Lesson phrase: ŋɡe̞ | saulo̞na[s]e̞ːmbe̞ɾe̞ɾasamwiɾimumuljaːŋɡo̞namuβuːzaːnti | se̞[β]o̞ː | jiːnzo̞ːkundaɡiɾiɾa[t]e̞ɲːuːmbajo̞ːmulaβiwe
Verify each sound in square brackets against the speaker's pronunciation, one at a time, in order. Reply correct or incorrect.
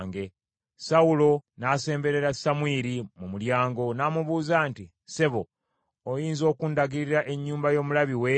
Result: correct, correct, incorrect

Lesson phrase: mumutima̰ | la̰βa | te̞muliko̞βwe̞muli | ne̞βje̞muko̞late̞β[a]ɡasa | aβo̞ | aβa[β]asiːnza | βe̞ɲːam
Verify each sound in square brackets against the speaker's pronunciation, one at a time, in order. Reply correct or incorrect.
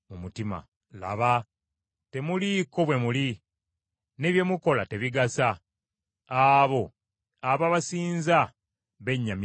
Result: incorrect, correct

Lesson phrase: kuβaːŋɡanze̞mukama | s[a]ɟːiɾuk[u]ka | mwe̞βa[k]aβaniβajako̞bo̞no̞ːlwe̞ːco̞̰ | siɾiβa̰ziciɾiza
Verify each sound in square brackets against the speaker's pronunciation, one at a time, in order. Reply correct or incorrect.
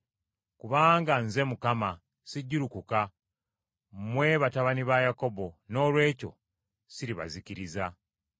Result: incorrect, correct, incorrect

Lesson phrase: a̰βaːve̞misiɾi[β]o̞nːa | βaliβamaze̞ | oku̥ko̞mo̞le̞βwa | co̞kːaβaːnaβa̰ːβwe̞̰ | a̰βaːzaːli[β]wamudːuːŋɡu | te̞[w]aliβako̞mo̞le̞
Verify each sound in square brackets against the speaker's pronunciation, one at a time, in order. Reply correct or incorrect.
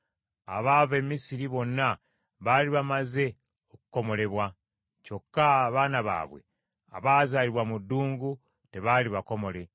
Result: correct, correct, incorrect

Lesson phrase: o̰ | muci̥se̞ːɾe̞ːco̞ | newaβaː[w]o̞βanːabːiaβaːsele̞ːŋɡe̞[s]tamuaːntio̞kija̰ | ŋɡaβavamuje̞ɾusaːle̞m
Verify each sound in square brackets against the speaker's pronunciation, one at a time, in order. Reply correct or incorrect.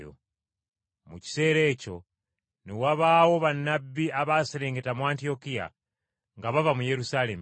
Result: correct, incorrect

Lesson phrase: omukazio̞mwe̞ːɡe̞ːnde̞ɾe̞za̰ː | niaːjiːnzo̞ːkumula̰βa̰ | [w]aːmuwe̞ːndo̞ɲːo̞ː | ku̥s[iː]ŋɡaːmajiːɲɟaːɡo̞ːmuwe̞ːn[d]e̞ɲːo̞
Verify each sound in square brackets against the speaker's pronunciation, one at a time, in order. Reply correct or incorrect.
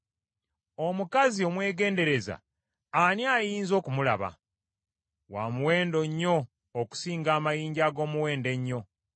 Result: correct, correct, correct

